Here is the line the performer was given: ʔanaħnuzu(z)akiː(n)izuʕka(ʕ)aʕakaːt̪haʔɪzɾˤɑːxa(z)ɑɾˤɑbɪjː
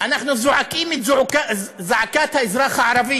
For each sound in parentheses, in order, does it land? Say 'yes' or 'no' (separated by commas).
no, no, no, no